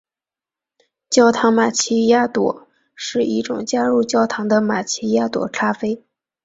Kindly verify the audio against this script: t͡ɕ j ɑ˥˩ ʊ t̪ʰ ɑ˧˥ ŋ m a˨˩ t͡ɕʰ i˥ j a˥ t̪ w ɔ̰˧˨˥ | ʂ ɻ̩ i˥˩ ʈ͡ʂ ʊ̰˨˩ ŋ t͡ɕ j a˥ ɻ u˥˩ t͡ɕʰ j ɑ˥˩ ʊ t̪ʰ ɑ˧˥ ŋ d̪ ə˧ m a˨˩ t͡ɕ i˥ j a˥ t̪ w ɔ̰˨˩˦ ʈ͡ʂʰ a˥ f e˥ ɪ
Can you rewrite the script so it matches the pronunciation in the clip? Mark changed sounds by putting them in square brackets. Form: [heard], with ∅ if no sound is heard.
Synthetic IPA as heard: t͡ɕ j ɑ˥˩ ʊ t̪ʰ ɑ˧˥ ŋ m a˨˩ t͡ɕʰ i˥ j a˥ t̪ w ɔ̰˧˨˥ | ʂ ɻ̩ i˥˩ ʈ͡ʂ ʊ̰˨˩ ŋ t͡ɕ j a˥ ɻ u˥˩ [t͡ɕ] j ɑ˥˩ ʊ t̪ʰ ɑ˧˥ ŋ d̪ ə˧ m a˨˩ [t͡ɕʰ] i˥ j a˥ t̪ w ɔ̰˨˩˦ ʈ͡ʂʰ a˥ f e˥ ɪ